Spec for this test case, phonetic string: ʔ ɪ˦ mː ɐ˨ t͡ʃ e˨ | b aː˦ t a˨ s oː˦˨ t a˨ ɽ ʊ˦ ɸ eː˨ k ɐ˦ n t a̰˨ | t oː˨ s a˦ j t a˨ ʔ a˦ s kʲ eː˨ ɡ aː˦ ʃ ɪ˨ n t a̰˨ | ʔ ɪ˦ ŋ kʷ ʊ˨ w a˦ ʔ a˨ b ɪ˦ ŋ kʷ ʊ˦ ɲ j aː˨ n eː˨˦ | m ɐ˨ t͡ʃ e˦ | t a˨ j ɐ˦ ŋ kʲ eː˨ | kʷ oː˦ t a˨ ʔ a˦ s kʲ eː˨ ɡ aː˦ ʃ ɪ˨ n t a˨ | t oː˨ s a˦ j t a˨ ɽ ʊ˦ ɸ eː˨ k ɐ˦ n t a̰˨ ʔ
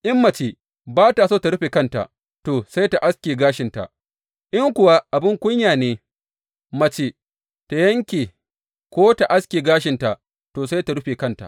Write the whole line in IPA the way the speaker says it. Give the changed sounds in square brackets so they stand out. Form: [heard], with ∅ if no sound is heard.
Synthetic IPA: ʔ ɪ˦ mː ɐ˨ t͡ʃ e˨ | b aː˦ t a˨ s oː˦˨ t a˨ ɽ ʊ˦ ɸ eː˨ k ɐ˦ n t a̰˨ | t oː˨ s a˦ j t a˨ ʔ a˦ s kʲ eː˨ ɡ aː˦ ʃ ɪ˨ n t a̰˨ | ʔ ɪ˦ ŋ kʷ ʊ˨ w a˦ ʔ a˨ b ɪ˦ ŋ kʷ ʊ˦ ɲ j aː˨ n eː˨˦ | m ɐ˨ t͡ʃ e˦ | t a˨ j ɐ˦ ŋ kʲ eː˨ | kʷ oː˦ t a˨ ʔ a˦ s kʲ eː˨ ɡ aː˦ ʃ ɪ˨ n t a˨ | t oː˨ s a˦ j t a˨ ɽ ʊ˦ ɸ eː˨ k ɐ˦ n t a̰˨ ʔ

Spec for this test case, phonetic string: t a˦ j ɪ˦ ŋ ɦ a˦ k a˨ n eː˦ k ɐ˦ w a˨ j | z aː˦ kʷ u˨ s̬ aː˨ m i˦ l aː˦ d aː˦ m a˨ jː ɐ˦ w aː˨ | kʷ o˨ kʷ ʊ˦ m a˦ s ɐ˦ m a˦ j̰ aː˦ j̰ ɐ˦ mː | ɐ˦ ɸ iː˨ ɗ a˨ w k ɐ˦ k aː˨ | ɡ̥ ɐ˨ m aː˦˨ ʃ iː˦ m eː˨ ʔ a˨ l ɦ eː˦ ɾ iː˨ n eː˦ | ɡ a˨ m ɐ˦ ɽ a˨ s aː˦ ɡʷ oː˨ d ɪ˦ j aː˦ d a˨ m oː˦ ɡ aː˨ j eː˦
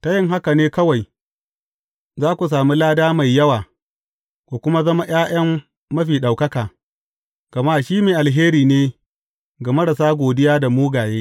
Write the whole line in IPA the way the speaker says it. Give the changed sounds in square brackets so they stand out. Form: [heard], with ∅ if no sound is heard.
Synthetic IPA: t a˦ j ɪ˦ ŋ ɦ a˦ k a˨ n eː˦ k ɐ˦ w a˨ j | z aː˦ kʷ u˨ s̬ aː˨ m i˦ l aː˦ d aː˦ m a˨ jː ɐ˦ w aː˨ | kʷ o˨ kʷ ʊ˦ m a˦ [z] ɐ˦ m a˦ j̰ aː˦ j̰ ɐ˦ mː | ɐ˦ ɸ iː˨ ɗ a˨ w k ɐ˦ k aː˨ | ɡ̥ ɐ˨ m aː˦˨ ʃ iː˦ m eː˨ ʔ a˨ l ɦ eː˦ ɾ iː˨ n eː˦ | ɡ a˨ m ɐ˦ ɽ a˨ s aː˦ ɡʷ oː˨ d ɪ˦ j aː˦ d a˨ m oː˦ ɡ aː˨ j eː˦

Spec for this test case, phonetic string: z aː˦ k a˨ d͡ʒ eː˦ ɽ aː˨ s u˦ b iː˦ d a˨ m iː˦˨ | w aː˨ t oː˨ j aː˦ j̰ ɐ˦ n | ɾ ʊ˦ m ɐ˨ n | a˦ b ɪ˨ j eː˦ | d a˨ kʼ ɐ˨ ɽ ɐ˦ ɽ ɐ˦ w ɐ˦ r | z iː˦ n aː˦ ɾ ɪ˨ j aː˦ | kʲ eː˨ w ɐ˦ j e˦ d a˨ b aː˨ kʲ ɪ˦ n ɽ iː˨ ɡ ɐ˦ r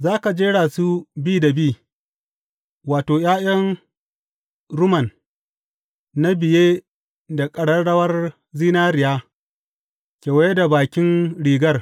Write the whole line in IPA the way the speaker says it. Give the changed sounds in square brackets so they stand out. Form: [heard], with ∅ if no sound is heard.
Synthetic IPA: z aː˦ k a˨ d͡ʒ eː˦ ɽ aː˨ s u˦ b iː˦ d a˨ [b] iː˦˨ | w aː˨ t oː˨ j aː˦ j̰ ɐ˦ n | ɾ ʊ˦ m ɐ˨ n | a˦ b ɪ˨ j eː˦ | d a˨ kʼ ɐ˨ ɽ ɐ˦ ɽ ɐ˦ w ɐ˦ r | z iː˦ n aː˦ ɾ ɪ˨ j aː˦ | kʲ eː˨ w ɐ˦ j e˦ d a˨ b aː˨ kʲ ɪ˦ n ɽ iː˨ ɡ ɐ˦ r

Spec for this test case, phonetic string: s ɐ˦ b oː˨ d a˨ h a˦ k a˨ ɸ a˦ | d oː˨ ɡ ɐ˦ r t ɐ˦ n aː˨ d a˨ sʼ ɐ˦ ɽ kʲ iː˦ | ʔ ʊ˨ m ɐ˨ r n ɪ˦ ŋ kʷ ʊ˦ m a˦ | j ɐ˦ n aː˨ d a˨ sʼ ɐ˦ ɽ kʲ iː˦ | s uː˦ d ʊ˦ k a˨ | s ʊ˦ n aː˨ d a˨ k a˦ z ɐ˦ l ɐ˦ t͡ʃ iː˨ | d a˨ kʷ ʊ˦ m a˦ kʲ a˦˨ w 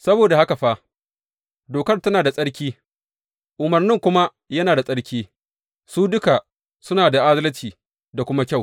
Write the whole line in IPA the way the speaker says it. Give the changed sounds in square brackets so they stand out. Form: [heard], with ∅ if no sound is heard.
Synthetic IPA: s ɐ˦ b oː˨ d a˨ h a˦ k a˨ ɸ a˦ | d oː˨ [k] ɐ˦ r t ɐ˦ n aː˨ d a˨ sʼ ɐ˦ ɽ kʲ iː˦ | ʔ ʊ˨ m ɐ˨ r n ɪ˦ ŋ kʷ ʊ˦ m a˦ | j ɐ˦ n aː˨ d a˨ sʼ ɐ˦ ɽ kʲ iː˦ | s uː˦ d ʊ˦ k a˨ | s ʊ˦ n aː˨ d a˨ [ʔ] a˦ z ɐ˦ l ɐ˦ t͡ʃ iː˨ | d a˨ kʷ ʊ˦ m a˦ kʲ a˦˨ w

